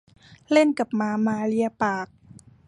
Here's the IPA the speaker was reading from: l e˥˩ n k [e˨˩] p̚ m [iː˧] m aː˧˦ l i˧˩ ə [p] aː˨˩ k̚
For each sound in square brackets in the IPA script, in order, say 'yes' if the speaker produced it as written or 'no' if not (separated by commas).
no, no, yes